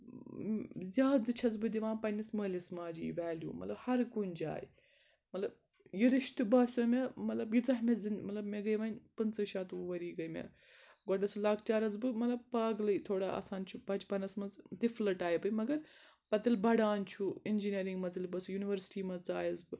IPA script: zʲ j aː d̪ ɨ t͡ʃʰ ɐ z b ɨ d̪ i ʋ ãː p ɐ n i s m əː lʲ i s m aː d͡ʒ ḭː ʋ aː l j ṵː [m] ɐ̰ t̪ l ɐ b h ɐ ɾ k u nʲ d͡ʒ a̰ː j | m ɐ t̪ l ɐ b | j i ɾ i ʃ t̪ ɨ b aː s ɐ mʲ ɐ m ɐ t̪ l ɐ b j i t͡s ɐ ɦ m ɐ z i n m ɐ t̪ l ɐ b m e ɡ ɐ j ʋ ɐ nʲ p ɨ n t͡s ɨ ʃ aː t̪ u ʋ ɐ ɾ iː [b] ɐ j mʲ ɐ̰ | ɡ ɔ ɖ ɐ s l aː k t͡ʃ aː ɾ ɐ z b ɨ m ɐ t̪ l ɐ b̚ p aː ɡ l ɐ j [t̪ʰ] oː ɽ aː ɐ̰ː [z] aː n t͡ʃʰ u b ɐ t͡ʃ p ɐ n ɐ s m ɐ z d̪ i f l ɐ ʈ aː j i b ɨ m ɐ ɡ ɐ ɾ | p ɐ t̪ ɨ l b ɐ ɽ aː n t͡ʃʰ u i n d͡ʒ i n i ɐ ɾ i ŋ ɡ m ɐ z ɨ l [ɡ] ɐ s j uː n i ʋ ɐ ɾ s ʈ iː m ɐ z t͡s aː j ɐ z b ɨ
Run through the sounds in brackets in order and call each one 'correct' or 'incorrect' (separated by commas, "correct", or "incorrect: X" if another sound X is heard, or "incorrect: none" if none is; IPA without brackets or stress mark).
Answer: correct, incorrect: ɡ, correct, incorrect: s, incorrect: b